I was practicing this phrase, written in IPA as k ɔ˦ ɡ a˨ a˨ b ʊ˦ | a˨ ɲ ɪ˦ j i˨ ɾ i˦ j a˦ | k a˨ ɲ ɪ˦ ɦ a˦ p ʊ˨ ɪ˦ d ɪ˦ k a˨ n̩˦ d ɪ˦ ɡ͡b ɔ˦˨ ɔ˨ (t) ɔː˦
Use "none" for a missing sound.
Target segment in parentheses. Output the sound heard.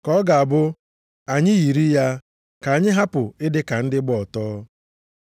t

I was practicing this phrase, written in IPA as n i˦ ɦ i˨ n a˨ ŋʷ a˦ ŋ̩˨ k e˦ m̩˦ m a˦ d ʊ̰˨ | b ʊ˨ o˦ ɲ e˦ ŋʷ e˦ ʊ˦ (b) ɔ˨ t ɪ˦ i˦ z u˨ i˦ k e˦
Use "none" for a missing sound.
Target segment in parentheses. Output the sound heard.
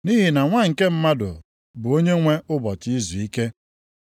b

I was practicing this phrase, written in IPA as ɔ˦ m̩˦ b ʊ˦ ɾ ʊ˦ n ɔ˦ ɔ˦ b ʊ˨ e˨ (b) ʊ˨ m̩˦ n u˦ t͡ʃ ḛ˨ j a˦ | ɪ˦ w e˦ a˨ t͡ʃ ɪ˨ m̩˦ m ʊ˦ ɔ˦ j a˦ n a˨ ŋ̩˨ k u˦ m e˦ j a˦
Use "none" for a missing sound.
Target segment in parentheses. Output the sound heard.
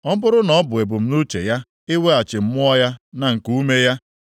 b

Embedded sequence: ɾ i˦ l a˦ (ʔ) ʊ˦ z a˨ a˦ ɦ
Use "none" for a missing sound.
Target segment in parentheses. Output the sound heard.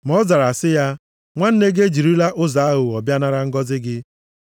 ʔ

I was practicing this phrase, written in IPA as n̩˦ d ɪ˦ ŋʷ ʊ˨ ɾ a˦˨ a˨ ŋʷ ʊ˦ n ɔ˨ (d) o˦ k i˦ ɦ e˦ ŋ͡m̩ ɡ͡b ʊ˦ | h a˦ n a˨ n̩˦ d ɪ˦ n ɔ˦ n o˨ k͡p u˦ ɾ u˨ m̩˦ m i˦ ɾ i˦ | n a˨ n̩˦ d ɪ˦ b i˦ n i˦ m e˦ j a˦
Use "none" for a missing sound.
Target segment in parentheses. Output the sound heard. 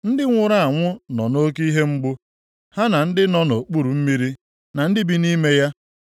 n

